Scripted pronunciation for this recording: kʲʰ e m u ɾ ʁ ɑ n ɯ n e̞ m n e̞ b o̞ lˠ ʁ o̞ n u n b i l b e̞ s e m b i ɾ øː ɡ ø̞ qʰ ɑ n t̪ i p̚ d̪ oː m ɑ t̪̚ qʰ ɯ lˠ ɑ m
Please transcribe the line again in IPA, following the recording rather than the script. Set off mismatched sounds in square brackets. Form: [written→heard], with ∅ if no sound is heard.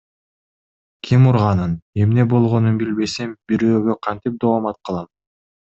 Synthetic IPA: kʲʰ [e→i] m u ɾ ʁ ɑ n ɯ n e̞ m n e̞ b o̞ lˠ ʁ o̞ n u n b i l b e̞ s e m b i ɾ øː ɡ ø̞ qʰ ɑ n t̪ i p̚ d̪ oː m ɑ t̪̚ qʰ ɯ lˠ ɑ m